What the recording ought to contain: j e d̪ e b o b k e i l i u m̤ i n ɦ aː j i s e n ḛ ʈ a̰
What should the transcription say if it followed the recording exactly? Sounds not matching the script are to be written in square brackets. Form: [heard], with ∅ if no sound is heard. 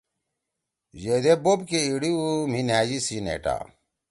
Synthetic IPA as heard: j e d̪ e b o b k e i [ɽ] i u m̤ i n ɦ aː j i s [i] n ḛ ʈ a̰